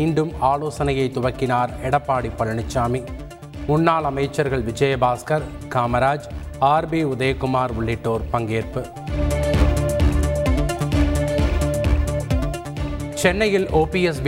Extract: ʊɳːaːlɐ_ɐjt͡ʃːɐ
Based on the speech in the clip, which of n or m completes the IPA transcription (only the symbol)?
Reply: m